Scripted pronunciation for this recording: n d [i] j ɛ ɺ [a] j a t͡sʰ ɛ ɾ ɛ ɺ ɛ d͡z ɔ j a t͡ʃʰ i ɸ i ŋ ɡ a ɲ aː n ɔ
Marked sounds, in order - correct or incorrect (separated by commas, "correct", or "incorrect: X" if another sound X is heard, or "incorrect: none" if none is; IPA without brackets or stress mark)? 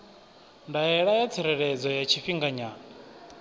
incorrect: a, correct